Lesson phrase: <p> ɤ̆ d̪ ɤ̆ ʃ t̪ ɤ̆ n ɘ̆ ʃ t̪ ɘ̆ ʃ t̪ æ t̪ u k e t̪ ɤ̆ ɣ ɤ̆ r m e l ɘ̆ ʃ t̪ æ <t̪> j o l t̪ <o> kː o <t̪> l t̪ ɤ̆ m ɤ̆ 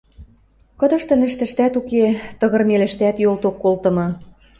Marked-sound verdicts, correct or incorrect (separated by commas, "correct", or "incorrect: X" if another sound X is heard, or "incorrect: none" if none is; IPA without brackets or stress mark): incorrect: k, correct, correct, incorrect: none